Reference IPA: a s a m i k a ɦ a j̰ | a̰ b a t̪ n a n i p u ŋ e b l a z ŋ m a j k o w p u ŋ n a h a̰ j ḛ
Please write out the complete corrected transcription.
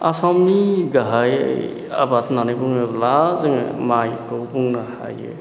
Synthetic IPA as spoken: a s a m i ɡ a ɦ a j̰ | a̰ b a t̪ n a n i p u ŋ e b l a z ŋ m a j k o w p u ŋ n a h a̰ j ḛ